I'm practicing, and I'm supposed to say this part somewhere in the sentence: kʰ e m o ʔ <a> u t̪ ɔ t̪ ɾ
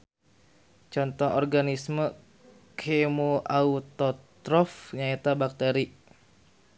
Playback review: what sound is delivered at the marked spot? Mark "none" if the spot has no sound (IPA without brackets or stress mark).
a